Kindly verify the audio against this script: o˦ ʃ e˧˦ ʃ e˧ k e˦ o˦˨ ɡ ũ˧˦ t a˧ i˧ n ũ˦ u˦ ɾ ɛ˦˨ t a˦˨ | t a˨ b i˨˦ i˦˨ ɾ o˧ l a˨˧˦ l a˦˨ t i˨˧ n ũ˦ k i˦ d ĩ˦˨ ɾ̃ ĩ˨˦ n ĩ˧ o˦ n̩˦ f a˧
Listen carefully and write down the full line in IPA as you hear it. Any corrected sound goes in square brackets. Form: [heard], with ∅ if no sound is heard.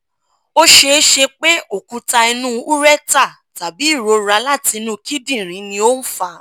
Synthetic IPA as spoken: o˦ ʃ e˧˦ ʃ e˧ [k͡p] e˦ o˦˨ [k] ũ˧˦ t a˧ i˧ n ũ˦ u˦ ɾ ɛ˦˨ t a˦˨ | t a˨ b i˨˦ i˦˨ ɾ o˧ [ɾ] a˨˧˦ l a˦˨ t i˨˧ n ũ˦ k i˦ d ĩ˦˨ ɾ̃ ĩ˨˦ n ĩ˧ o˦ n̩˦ f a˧